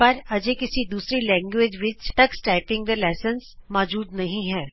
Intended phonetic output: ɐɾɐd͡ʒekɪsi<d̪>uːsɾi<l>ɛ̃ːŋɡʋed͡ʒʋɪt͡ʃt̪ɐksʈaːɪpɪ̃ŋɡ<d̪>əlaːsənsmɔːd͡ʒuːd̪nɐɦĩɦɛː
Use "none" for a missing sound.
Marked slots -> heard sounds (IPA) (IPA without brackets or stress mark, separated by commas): d̪, l, d̪